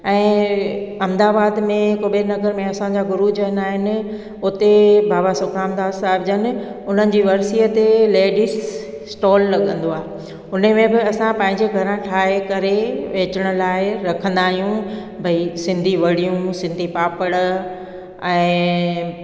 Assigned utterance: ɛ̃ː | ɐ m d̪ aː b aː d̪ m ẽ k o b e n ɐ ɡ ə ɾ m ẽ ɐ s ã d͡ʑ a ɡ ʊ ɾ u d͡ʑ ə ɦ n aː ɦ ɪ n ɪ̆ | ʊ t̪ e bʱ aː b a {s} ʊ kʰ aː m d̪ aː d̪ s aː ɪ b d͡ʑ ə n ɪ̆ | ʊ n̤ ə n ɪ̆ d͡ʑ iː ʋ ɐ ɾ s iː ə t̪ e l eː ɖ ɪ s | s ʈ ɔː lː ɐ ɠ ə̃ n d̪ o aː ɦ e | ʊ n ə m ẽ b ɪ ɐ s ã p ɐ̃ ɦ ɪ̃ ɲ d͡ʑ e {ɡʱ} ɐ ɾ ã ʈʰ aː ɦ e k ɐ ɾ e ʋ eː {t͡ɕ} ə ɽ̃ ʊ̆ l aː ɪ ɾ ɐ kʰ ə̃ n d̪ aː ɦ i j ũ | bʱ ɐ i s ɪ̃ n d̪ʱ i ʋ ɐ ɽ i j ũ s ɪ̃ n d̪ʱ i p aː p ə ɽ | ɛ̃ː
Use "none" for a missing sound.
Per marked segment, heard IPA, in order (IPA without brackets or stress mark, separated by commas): s, ɡʱ, t͡ɕ